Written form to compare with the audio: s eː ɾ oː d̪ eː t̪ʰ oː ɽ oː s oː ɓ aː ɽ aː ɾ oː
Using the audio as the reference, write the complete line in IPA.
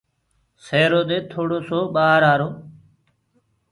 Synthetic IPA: s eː ɾ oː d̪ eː t̪ʰ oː ɽ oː s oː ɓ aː ɾ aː ɾ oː

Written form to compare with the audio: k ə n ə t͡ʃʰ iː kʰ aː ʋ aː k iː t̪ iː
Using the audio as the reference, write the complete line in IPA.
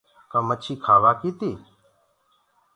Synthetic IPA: k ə m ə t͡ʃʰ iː kʰ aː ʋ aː k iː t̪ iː

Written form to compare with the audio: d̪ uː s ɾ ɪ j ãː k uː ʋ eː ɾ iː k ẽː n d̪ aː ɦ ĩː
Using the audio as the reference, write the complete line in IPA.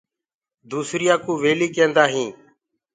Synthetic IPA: d̪ uː s ɾ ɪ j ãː k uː ʋ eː l iː k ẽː n d̪ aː ɦ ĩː

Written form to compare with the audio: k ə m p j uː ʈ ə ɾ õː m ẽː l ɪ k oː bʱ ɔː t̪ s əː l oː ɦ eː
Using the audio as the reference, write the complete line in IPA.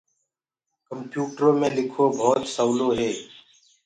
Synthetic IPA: k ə m p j uː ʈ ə ɾ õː m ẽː l ɪ kʰ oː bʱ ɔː t̪ s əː l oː ɦ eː

